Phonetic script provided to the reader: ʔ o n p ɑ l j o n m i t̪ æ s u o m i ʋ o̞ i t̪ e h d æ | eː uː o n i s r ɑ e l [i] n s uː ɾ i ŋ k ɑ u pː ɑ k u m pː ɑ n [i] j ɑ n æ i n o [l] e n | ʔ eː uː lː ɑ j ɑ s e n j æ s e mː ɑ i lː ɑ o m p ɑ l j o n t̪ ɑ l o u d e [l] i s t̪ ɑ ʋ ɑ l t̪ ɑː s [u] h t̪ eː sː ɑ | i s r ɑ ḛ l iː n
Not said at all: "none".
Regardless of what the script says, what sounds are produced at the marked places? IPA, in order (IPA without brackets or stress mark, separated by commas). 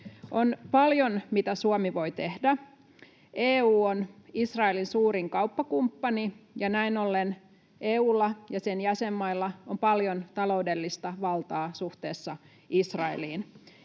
i, i, lː, lː, u